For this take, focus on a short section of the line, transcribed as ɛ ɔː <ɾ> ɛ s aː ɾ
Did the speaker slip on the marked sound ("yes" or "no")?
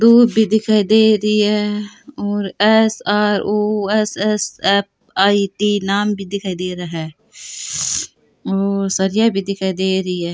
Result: no